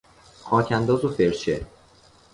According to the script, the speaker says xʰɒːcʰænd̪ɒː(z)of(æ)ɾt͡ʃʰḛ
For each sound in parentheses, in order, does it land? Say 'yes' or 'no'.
yes, no

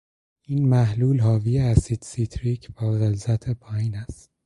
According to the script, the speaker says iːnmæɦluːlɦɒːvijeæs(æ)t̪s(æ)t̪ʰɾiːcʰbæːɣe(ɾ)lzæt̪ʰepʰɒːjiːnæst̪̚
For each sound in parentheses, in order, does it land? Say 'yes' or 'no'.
no, no, no

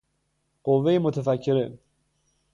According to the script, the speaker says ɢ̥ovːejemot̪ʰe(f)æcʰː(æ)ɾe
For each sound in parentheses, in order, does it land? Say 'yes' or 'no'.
yes, no

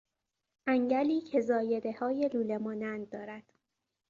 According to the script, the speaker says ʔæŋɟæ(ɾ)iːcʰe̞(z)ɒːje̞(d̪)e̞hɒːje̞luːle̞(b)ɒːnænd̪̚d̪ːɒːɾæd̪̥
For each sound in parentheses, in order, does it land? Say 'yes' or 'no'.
no, yes, yes, no

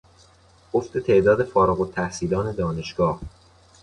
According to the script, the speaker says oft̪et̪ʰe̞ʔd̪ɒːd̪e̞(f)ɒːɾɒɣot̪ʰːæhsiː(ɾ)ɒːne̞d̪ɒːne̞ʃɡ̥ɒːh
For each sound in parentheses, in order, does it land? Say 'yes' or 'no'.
yes, no

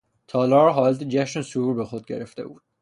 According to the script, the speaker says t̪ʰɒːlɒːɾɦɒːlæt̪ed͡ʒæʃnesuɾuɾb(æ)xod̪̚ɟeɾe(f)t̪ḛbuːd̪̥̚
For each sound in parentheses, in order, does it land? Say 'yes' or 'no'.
no, yes

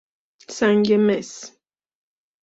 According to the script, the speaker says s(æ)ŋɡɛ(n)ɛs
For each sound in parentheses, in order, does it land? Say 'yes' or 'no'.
no, no

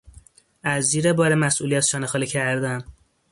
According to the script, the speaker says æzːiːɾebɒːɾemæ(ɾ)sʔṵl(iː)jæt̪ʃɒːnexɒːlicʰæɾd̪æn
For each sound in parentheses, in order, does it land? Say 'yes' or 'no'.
no, no

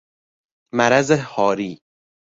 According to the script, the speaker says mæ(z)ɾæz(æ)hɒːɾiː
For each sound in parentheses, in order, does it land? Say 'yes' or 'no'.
no, no

